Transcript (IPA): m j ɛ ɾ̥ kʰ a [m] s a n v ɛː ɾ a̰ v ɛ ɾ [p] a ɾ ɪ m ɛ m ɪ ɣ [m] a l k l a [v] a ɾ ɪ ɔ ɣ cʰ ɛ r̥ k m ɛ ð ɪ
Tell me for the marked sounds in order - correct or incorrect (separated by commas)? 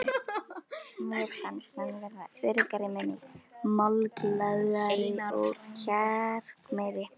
incorrect, incorrect, correct, incorrect